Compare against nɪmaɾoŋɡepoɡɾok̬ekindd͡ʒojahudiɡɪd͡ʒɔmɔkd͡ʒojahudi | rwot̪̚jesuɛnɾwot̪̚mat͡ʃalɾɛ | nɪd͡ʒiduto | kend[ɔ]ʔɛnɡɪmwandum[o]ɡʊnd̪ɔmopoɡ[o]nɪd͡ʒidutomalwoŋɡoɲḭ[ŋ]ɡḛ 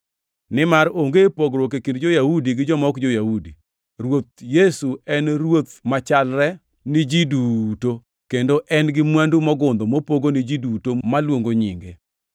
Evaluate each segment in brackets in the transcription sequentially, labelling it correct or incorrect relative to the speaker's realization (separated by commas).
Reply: incorrect, incorrect, correct, correct